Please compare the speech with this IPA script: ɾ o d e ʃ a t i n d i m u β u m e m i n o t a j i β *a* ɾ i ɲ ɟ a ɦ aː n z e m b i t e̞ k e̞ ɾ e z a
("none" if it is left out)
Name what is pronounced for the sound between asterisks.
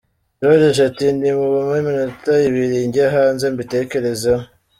i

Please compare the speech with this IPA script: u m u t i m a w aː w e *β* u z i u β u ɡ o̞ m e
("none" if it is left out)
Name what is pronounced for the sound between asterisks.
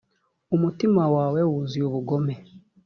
w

